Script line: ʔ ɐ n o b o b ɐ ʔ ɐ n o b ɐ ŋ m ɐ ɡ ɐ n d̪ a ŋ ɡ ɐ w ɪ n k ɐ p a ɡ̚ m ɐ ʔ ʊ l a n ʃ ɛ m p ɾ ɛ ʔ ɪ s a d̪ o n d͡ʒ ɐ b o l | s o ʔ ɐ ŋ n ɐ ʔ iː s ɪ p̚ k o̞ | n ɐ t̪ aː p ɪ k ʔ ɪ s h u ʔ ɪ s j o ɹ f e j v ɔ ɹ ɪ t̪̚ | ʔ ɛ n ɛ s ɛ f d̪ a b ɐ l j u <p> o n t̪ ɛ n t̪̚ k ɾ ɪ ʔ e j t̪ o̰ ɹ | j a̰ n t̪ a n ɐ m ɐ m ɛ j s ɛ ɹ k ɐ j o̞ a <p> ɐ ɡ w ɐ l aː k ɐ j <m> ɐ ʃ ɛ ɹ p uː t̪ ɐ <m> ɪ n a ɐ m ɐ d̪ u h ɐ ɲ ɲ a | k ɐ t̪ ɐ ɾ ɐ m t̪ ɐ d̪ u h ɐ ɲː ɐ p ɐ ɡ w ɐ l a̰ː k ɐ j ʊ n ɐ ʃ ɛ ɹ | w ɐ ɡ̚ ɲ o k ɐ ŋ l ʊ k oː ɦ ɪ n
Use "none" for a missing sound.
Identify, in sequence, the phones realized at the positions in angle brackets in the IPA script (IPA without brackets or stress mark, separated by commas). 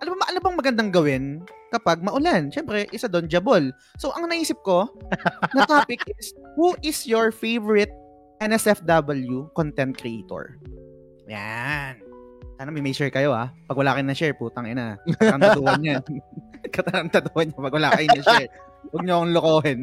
k, p, n, ŋ